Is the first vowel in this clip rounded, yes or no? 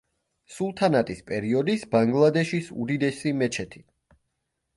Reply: yes